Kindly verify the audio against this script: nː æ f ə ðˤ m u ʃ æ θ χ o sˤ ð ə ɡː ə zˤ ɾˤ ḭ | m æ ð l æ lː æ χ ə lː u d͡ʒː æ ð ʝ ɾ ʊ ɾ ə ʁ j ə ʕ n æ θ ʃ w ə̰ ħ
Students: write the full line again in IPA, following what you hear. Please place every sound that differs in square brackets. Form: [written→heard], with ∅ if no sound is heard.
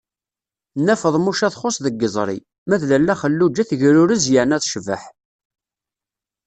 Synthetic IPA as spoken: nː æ f ə ðˤ m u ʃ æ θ χ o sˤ ð ə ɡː ə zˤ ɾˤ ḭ | m æ ð l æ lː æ χ ə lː u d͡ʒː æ [ð→θ] ʝ ɾ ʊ ɾ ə [ʁ→z] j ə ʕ n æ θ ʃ [w→v] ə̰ ħ